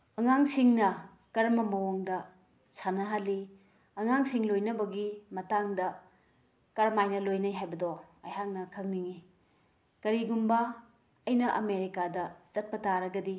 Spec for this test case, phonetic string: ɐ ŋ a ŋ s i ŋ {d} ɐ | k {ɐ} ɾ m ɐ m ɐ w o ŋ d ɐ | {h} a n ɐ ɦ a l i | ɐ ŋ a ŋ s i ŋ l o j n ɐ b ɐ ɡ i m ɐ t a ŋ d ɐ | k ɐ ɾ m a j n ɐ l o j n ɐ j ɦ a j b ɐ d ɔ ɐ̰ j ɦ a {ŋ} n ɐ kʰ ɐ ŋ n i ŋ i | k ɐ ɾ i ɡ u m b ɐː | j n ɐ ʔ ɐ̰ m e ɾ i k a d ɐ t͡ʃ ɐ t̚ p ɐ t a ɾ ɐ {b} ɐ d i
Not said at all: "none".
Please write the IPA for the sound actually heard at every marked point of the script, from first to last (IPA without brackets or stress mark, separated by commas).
n, ɐ, s, ŋ, ɡ